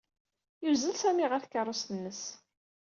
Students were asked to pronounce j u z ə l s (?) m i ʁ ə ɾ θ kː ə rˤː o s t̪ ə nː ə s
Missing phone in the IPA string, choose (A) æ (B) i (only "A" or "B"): A